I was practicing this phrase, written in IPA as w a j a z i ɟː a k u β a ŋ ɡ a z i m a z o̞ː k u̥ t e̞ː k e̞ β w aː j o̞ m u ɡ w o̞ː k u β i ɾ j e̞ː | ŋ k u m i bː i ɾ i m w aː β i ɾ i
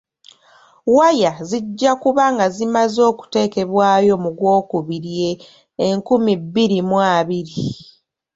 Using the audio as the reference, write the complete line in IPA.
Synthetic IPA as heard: w a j a z i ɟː a k u β a ŋ ɡ a z i m a z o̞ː k u̥ t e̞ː k e̞ β w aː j o̞ m u ɡ w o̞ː k u β i ɾ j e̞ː | ŋ k u m i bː i ɾ i m w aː β i ɾ i